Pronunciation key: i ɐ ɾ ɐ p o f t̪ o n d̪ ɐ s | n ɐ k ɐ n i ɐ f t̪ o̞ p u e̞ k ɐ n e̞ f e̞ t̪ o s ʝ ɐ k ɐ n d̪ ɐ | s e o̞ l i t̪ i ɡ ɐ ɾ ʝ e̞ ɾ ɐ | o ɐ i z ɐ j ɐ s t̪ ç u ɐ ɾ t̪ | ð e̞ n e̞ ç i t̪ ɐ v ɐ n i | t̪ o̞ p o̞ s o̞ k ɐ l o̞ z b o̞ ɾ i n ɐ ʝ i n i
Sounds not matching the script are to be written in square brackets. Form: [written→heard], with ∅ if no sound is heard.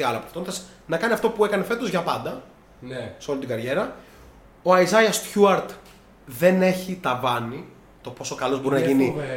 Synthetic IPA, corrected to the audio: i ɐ [ɾ→l] ɐ p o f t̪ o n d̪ ɐ s | n ɐ k ɐ n i ɐ f t̪ o̞ p u e̞ k ɐ n e̞ f e̞ t̪ o [s→z] ʝ ɐ [k→p] ɐ n d̪ ɐ | s e o̞ l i t̪ i ɡ ɐ ɾ ʝ e̞ ɾ ɐ | o ɐ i z ɐ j ɐ s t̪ ç u ɐ ɾ t̪ | ð e̞ n e̞ ç i t̪ ɐ v ɐ n i | t̪ o̞ p o̞ s o̞ k ɐ l o̞ z b o̞ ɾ i n ɐ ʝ i n i